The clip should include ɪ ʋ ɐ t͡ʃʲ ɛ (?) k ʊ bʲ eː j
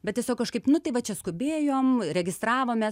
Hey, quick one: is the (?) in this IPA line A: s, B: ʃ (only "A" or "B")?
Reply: A